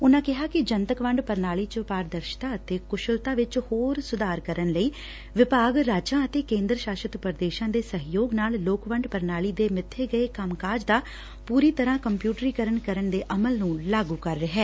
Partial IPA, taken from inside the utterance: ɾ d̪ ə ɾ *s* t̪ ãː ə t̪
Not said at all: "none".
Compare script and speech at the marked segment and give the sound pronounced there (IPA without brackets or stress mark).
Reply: ʃ